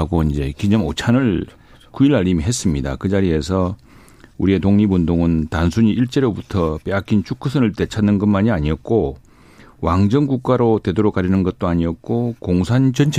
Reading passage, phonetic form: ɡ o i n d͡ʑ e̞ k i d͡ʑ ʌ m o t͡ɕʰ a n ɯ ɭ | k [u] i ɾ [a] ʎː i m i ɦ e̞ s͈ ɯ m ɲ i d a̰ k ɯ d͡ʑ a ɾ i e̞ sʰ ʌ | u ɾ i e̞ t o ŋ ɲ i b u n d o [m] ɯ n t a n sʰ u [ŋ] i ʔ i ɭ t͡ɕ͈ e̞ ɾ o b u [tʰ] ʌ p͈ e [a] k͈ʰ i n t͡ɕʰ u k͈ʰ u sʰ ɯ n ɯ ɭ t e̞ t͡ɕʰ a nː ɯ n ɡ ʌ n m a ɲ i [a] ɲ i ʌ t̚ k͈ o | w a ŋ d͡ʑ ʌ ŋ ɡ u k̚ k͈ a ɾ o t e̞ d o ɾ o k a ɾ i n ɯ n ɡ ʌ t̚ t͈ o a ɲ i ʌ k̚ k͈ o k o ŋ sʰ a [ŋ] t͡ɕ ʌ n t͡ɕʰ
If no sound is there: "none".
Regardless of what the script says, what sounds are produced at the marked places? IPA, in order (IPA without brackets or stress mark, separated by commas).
u, a, ŋ, ɲ, tʰ, a, a, n